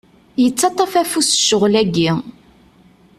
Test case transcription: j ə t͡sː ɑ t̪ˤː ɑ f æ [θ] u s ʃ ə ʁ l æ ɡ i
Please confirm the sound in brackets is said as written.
no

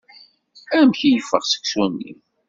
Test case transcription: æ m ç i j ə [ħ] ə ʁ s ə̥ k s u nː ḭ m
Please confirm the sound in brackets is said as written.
no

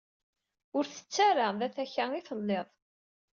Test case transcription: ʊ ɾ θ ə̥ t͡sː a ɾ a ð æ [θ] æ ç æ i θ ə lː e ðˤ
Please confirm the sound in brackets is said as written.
yes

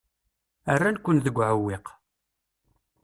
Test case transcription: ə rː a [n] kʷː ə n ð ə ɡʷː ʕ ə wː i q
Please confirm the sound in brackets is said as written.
yes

